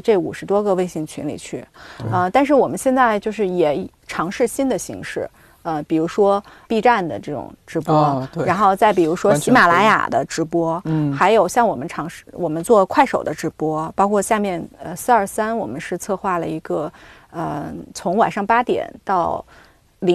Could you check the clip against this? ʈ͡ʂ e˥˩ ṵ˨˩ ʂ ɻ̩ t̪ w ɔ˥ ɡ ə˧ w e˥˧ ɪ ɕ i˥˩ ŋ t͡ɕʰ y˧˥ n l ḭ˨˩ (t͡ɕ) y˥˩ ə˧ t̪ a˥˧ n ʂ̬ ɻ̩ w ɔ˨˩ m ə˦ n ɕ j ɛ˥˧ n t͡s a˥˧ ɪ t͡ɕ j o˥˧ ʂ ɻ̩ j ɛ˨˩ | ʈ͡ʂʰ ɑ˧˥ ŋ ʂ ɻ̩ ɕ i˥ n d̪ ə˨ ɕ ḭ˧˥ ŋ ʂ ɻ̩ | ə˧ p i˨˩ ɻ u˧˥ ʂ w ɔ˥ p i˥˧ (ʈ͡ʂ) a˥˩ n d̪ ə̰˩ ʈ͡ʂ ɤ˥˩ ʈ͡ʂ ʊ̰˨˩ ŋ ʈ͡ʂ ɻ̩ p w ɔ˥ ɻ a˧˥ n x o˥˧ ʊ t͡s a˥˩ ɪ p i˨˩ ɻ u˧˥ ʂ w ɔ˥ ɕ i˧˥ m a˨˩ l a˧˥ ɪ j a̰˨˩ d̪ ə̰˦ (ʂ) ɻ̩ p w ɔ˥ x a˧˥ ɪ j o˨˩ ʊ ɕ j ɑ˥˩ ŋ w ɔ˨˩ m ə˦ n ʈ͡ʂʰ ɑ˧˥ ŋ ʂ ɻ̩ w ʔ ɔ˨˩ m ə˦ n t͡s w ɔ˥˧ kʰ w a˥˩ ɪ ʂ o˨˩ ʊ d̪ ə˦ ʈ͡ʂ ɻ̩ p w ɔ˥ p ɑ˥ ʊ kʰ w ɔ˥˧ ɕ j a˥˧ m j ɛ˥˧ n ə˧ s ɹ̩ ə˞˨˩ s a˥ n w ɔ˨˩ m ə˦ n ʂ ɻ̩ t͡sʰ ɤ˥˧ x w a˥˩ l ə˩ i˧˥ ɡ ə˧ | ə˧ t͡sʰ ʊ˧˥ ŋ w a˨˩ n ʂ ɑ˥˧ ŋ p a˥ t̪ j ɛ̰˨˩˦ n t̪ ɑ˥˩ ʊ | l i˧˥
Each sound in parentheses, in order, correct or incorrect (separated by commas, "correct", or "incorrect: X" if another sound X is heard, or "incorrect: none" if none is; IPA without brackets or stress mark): incorrect: t͡ɕʰ, correct, incorrect: ʈ͡ʂ